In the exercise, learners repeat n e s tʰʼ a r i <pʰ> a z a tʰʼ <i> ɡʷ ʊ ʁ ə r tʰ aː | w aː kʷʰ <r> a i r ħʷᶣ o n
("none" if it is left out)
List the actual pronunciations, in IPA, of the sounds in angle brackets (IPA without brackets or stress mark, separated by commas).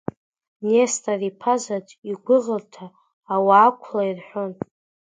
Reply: pʰ, i, l